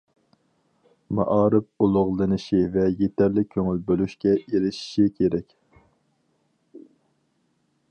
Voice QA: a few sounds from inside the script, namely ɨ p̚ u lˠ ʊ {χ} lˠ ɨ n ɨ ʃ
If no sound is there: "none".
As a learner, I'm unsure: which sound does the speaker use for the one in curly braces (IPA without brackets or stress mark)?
ʁ